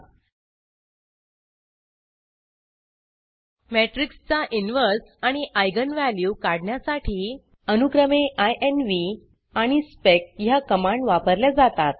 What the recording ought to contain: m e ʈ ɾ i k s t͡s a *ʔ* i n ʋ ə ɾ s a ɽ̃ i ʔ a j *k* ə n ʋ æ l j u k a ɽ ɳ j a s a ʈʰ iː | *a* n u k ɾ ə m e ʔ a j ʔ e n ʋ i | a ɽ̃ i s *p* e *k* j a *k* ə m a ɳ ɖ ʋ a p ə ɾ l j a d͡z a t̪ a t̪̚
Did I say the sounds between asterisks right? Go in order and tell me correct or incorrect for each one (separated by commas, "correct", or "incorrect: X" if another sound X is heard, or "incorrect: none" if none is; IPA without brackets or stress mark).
correct, incorrect: ɡ, incorrect: ə, correct, correct, correct